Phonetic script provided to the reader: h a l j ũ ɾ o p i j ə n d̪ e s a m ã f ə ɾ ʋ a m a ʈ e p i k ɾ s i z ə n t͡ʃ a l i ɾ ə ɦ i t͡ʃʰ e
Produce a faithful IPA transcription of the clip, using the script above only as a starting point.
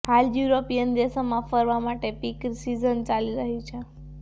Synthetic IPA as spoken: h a l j u ɾ o p i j ə n d̪ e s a m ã f ə ɾ ʋ a m a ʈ e p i k ɾ s i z ə n t͡ʃ a l i ɾ ə ɦ i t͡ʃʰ e